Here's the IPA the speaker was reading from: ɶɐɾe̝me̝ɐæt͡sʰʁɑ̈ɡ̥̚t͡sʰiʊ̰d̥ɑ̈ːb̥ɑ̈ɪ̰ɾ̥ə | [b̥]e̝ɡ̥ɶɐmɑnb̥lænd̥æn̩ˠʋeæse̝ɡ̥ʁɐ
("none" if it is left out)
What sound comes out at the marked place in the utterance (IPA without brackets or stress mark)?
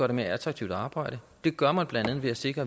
d̥